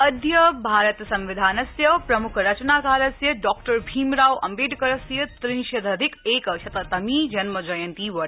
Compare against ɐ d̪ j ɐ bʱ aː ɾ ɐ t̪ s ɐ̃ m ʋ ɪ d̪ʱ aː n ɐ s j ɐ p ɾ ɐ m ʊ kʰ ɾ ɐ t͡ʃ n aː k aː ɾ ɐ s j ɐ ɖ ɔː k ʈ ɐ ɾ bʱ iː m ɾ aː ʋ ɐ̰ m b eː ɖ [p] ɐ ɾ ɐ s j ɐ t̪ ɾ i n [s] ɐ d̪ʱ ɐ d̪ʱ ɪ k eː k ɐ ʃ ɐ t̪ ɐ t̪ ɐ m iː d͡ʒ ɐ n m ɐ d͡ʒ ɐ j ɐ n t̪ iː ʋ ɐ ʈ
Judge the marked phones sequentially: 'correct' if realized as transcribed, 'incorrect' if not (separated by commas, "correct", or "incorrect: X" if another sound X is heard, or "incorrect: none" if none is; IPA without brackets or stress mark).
incorrect: k, incorrect: ʃ